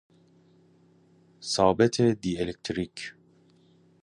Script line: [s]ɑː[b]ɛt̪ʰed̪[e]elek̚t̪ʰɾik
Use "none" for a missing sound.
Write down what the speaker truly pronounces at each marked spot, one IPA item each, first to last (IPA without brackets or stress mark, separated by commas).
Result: s, b, i